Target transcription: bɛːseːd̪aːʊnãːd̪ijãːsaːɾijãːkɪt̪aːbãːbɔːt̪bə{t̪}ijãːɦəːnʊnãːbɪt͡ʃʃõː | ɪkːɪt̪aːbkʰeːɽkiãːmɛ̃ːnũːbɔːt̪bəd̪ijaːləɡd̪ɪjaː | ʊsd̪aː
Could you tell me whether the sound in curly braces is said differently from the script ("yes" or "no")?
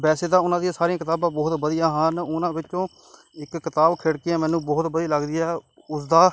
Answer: yes